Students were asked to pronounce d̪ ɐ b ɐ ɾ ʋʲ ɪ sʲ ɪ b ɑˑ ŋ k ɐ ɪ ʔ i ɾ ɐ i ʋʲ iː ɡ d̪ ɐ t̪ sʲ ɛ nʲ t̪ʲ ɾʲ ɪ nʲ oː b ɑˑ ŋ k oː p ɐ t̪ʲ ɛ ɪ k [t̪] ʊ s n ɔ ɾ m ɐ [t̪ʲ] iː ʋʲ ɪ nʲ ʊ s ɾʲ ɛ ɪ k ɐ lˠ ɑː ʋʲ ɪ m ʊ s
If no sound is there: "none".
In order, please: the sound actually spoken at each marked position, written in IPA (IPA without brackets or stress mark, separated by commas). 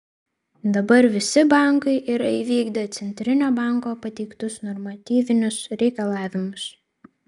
t̪, t̪ʲ